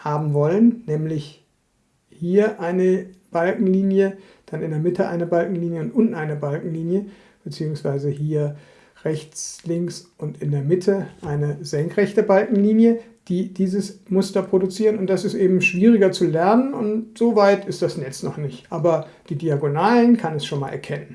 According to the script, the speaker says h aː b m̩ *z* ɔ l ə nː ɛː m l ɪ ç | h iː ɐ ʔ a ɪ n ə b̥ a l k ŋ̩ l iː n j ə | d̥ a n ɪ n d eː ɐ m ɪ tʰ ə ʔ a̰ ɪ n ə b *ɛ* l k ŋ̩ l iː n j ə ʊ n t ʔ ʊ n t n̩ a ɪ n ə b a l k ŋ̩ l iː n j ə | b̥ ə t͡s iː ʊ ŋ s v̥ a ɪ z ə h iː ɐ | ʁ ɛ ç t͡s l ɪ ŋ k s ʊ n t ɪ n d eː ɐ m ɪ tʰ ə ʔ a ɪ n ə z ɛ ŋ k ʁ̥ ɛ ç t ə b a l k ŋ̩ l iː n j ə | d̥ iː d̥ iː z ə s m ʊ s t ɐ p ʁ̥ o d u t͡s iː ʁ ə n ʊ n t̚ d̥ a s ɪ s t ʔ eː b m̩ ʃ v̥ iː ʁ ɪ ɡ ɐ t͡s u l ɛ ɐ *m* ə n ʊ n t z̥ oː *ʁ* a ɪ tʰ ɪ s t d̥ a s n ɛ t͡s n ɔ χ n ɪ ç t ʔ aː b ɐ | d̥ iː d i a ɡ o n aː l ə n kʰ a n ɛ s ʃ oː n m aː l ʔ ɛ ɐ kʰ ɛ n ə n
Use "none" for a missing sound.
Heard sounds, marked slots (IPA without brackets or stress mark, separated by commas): v, a, n, v